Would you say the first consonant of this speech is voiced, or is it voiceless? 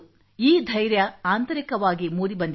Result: voiced